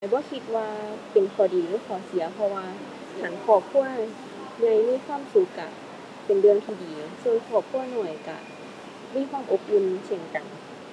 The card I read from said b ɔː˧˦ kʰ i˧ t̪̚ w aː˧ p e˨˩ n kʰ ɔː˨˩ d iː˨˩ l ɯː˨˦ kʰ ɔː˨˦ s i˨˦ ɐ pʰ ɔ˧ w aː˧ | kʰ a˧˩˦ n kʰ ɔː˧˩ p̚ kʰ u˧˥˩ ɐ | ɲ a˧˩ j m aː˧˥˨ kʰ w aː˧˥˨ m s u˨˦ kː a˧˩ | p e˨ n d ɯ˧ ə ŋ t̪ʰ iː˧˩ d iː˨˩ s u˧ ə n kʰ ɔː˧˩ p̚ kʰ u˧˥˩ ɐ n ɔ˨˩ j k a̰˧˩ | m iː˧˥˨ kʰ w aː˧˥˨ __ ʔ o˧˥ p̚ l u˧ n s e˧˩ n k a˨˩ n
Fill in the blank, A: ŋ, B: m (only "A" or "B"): B